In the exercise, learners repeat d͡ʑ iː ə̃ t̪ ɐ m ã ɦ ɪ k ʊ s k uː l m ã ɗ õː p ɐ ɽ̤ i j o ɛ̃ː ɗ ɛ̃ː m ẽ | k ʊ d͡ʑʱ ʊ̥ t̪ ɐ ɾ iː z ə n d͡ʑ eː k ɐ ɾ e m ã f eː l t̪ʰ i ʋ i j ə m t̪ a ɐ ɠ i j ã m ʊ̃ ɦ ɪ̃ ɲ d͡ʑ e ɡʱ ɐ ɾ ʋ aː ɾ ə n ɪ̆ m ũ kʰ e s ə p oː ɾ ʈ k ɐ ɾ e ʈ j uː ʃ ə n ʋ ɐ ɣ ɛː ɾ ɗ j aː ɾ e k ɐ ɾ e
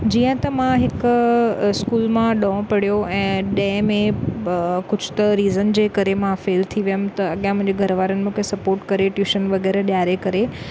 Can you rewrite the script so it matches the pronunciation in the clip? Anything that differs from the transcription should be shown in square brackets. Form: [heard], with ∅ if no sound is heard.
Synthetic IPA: d͡ʑ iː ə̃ t̪ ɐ m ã ɦ ɪ k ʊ s k uː l m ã ɗ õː p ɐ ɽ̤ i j o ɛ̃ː ɗ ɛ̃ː m ẽ | k ʊ d͡ʑʱ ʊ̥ t̪ ɐ ɾ iː z ə n d͡ʑ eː k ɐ ɾ e m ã f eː l t̪ʰ i ʋ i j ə m t̪ [ɐ] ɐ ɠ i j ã m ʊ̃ ɦ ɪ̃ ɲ d͡ʑ e ɡʱ ɐ ɾ ʋ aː ɾ ə n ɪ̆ m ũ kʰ e s [ɐ] p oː ɾ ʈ k ɐ ɾ e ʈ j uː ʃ ə n ʋ ɐ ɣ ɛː ɾ ɗ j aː ɾ e k ɐ ɾ e